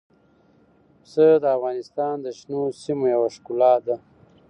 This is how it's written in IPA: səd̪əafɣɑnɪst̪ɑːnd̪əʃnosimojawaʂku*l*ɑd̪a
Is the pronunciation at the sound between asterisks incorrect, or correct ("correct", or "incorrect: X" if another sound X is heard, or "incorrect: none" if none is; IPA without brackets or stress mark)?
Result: correct